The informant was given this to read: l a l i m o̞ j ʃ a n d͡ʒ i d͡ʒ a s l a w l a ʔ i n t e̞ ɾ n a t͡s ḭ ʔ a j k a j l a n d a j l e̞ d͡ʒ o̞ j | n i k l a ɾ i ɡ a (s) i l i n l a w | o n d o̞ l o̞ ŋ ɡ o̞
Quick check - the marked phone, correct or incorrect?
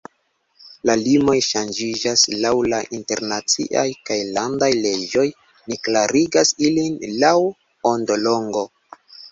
correct